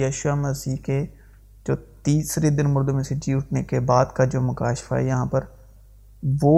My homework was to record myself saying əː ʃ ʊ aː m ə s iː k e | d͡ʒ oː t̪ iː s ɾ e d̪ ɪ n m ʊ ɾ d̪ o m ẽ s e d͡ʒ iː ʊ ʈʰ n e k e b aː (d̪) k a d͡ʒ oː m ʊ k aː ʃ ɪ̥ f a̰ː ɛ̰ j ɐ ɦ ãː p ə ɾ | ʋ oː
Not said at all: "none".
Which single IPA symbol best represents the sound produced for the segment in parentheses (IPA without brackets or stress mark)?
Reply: d̪